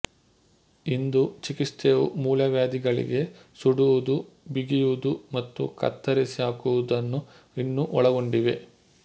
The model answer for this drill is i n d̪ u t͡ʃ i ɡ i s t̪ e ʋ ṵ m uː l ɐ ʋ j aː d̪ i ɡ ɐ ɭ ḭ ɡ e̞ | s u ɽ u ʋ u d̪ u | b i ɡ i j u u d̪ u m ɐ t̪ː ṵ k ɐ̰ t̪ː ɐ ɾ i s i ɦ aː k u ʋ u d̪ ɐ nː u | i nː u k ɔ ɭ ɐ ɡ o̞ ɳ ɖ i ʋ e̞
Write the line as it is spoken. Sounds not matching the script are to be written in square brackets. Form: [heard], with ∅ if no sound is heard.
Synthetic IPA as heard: i n d̪ u t͡ʃ i [k] i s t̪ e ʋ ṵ m uː l ɐ ʋ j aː d̪ i ɡ ɐ ɭ ḭ ɡ e̞ | s u ɽ u ʋ u d̪ u | b i ɡ i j u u d̪ u m ɐ t̪ː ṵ k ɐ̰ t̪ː ɐ ɾ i s i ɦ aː k u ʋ u d̪ ɐ nː u | i nː u [ʔ] ɔ ɭ ɐ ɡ o̞ ɳ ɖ i ʋ e̞

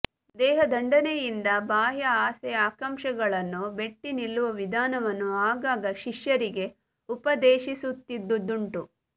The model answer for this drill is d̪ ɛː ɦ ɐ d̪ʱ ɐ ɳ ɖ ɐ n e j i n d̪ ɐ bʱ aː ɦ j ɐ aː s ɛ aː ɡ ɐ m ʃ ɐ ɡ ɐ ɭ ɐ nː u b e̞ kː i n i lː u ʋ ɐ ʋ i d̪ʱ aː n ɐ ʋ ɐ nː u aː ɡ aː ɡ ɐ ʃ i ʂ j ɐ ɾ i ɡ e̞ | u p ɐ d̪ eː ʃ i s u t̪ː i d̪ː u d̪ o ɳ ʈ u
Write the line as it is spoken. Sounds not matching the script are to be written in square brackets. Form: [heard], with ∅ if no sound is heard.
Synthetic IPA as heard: d̪ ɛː ɦ ɐ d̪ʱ ɐ ɳ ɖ ɐ n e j i n d̪ ɐ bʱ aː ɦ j ɐ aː s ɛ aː [k] ɐ m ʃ ɐ ɡ ɐ ɭ ɐ nː u b e̞ [ʈː] i n i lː u ʋ ɐ ʋ i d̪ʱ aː n ɐ ʋ ɐ nː u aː ɡ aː ɡ ɐ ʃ i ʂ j ɐ ɾ i ɡ e̞ | u p ɐ d̪ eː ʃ i s u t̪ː i d̪ː u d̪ [u] ɳ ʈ u

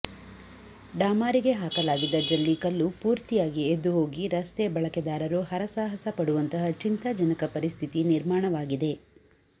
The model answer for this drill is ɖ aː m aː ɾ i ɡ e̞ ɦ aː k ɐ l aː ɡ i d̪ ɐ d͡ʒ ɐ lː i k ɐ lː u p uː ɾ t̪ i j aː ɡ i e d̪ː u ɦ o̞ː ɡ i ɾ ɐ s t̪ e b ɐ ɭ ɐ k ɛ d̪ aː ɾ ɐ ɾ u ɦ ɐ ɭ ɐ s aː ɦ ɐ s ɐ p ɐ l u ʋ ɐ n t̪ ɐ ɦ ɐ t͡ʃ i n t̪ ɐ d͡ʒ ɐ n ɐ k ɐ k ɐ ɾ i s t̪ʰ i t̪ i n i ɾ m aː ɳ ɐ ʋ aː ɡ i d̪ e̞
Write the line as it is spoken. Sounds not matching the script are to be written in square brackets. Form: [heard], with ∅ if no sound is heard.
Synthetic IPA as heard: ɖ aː m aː ɾ i ɡ e̞ ɦ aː k ɐ l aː ɡ i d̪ ɐ d͡ʒ ɐ lː i k ɐ lː u p uː ɾ t̪ i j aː ɡ i e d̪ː u ɦ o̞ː ɡ i ɾ ɐ s t̪ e b ɐ ɭ ɐ k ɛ d̪ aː ɾ ɐ ɾ u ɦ ɐ [ɾ] ɐ s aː ɦ ɐ s ɐ p ɐ [ɽ] u ʋ ɐ n t̪ ɐ ɦ ɐ t͡ʃ i n t̪ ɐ d͡ʒ ɐ n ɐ k ɐ [p] ɐ ɾ i s t̪ʰ i t̪ i n i ɾ m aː ɳ ɐ ʋ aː ɡ i d̪ e̞

